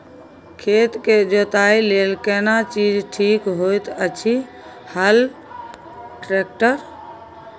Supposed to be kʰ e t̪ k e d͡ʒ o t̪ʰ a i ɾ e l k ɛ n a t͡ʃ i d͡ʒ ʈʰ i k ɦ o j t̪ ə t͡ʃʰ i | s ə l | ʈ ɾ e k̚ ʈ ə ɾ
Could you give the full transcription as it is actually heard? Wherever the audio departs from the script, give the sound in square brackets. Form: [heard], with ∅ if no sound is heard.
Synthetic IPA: kʰ e t̪ k e d͡ʒ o [t̪] a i [l] e l k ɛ n a t͡ʃ i d͡ʒ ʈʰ i k ɦ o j t̪ ə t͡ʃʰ i | [h] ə l | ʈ ɾ e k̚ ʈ ə ɾ